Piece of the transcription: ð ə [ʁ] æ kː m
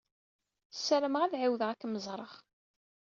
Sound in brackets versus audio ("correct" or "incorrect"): correct